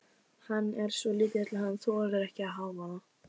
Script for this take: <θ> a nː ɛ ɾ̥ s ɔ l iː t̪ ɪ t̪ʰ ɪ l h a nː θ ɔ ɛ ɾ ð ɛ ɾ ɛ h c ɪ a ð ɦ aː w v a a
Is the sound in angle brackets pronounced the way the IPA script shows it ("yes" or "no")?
no